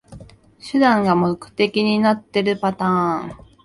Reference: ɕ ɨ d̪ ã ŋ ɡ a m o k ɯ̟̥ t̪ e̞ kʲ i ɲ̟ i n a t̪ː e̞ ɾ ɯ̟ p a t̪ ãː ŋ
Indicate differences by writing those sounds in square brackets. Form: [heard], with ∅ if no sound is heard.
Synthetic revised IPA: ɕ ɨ d̪ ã ŋ ɡ a m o k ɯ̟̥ t̪ e̞ kʲ i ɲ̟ i n a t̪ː e̞ ɾ ɯ̟ p a t̪ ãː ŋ